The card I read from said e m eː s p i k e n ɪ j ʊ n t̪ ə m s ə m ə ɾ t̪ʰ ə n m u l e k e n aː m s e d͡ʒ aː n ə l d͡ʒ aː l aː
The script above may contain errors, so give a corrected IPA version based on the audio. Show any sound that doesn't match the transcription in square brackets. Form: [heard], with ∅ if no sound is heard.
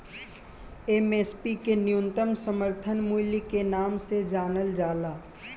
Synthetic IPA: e m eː s p i k e n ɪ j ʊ n t̪ ə m s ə m ə ɾ t̪ʰ ə n m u l [i] k e n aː m s e d͡ʒ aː n ə l d͡ʒ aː l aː